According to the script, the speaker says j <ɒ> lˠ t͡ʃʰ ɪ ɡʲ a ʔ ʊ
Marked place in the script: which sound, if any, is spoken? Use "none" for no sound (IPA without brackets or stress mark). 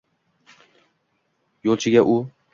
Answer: o